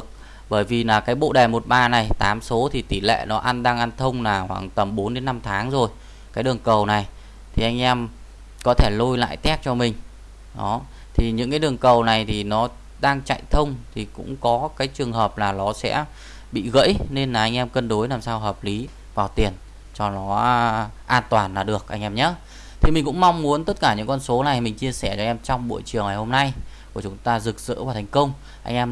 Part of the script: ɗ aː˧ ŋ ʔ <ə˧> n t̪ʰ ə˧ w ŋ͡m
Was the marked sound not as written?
yes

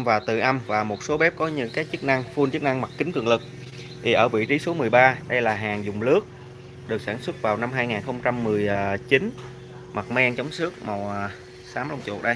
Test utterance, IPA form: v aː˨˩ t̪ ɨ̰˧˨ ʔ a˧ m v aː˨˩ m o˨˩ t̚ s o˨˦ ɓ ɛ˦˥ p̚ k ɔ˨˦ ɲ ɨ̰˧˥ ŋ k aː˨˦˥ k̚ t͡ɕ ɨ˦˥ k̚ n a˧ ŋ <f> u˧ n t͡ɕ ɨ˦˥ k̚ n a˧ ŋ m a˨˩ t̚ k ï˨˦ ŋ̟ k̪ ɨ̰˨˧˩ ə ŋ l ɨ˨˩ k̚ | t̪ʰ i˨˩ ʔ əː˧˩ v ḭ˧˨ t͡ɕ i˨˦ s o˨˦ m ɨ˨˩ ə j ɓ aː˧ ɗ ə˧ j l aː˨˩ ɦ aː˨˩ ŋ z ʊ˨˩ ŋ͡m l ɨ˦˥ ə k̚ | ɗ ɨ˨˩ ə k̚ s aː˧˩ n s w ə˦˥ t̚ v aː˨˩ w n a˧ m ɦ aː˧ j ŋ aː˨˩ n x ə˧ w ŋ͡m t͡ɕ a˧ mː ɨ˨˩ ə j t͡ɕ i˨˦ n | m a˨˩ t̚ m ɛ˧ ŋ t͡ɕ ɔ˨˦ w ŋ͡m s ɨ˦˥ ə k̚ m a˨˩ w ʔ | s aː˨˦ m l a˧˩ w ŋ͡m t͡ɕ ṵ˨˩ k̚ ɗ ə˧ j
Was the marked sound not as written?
no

